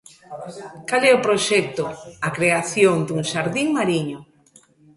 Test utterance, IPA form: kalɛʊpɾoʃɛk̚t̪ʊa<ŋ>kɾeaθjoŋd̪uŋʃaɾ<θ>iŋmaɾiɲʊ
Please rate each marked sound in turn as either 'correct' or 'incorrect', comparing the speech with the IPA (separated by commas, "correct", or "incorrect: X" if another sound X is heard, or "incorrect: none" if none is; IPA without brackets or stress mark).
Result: incorrect: none, incorrect: ð